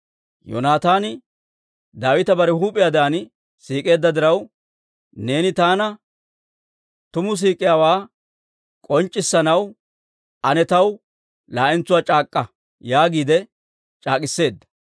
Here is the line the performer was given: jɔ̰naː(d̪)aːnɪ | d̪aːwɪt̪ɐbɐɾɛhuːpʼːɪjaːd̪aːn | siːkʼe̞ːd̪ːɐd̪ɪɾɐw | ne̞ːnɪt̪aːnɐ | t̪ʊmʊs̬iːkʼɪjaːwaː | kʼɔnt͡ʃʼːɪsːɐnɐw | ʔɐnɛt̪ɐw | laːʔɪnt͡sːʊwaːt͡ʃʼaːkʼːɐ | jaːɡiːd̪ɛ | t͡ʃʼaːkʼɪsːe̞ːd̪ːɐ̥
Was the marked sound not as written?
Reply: yes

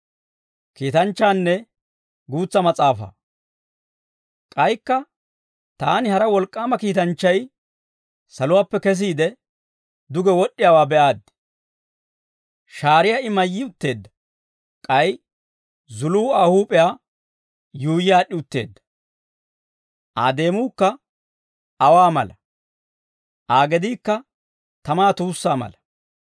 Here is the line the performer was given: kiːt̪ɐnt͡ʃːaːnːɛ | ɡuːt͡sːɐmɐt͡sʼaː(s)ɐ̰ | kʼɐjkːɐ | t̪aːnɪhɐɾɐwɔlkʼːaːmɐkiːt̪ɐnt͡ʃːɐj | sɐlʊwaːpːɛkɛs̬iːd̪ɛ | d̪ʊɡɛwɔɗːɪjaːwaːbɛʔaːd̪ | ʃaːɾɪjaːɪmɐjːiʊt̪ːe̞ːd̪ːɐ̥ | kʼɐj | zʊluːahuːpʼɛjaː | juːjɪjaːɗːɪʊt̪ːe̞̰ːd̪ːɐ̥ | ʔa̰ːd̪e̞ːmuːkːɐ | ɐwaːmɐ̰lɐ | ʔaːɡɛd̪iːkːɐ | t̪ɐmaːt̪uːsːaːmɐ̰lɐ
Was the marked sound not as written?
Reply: yes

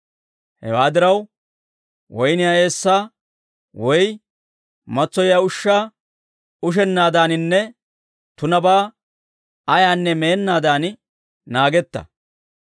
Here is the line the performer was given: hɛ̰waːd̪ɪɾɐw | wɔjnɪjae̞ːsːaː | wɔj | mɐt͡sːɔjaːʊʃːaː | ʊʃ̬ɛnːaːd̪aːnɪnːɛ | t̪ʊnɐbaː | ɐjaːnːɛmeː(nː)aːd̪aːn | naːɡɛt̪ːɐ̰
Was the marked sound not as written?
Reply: no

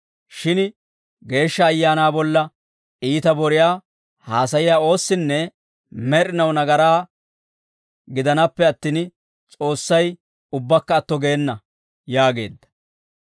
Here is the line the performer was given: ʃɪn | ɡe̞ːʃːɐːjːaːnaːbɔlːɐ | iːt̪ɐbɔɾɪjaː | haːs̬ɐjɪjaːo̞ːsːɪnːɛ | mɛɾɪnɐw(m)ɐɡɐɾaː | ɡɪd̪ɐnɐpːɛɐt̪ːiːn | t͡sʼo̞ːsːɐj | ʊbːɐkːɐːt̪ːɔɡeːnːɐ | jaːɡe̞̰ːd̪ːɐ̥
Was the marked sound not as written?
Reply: yes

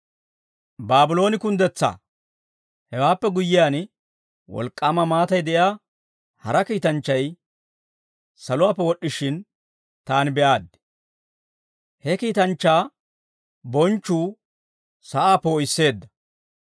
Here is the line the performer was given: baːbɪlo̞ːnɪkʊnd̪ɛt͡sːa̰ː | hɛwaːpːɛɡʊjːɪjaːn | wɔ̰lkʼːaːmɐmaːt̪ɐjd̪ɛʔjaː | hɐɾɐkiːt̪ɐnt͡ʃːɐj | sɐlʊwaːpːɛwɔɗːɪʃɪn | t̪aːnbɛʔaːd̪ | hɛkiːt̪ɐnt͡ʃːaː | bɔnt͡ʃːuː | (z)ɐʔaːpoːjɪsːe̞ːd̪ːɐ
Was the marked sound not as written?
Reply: yes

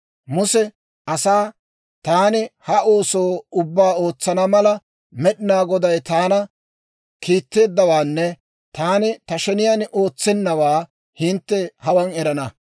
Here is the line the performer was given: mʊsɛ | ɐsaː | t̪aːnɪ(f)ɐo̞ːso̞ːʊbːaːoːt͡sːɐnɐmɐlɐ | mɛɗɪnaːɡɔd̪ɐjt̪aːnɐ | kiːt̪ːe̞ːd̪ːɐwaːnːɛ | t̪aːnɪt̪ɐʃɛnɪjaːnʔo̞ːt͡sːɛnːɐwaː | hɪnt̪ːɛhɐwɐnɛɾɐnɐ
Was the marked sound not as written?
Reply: yes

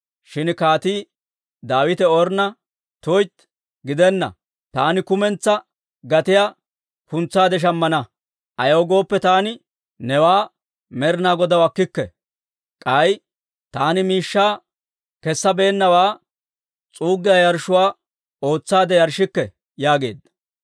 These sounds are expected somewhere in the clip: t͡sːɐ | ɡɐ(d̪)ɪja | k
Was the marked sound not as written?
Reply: yes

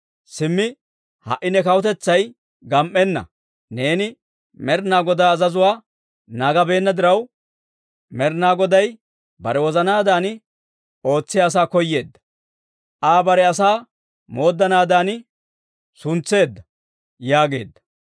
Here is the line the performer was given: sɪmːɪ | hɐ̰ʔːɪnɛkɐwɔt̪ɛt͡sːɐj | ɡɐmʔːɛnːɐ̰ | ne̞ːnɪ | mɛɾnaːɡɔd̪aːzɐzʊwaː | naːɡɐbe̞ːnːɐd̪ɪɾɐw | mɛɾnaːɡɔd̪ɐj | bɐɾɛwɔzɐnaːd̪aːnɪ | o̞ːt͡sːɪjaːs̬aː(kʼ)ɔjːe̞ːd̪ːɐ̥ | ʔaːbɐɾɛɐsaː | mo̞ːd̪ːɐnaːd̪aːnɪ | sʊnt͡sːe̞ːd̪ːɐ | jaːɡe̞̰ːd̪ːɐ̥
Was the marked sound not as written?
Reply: yes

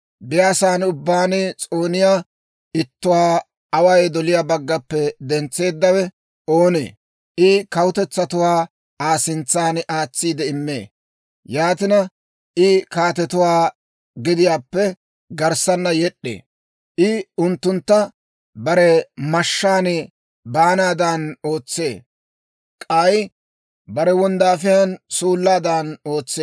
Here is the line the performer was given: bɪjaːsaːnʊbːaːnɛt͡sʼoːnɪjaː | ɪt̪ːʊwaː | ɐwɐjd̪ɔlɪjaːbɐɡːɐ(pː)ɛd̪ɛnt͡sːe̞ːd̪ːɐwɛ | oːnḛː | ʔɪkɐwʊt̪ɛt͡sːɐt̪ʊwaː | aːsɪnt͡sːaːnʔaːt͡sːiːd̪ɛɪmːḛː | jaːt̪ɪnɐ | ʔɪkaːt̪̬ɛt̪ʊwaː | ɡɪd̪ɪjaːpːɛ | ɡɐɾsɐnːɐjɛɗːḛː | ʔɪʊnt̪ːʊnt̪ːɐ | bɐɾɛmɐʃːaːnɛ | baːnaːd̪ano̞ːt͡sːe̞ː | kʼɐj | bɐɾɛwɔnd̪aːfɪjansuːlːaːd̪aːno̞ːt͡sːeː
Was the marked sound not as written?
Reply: no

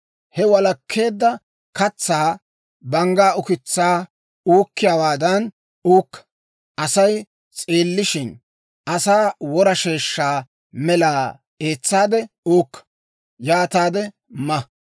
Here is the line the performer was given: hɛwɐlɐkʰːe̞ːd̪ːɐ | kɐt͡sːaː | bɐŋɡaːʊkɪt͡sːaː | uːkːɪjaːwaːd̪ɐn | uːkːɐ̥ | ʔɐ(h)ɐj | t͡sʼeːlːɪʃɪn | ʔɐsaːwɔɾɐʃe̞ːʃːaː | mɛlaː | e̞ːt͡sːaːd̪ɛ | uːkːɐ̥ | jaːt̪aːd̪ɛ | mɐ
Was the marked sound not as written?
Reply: yes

